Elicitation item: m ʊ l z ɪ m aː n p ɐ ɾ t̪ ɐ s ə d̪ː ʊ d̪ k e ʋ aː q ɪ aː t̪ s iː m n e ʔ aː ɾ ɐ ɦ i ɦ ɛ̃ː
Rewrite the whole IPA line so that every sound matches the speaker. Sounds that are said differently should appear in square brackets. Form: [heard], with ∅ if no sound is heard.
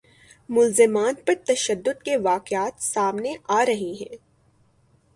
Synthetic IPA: m ʊ l z ɪ m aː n p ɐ ɾ t̪ ɐ [ʃ] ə d̪ː ʊ d̪ k e ʋ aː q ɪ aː t̪ s [aː] m n e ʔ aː ɾ ɐ ɦ i ɦ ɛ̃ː